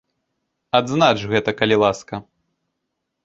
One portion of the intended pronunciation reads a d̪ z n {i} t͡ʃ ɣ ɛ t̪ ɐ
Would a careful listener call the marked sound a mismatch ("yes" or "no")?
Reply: yes